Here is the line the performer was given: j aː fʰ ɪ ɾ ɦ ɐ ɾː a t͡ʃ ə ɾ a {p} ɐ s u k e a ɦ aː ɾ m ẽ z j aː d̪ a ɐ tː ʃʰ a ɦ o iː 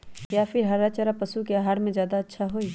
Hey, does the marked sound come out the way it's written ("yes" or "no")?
yes